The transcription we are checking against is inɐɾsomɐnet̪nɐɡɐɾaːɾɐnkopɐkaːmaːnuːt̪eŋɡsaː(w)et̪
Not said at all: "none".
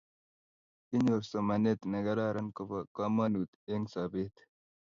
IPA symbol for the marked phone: b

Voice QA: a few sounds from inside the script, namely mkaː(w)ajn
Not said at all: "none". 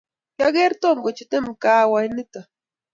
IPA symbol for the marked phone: w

